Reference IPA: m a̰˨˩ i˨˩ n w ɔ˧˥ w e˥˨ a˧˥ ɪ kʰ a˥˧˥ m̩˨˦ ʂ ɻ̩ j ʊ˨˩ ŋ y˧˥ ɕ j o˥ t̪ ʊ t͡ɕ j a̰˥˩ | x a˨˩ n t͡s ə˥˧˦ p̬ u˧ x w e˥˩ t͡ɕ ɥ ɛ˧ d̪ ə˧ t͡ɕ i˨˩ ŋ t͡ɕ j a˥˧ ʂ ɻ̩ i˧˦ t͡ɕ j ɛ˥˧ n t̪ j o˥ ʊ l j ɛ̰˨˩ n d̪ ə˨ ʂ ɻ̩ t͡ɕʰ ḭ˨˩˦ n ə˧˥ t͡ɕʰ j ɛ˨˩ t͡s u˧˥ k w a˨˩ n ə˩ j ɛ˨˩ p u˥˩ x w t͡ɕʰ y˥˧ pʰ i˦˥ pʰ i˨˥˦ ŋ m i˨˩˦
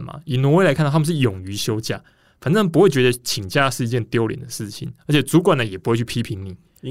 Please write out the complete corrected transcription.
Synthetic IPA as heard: m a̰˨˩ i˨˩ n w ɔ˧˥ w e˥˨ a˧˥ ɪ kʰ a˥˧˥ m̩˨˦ ʂ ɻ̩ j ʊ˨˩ ŋ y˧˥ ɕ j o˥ ʊ t͡ɕ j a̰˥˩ | f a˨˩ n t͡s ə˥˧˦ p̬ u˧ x w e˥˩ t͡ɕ ɥ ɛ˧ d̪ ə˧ t͡ɕʰ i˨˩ ŋ t͡ɕ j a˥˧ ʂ ɻ̩ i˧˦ t͡ɕ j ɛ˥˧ n t̪ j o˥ ʊ l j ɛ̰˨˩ n d̪ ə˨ ʂ ɻ̩ t͡ɕʰ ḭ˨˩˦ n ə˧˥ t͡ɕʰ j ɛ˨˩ t͡s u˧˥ k w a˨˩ n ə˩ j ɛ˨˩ p u˧˥ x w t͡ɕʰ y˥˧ pʰ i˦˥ pʰ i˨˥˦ ŋ n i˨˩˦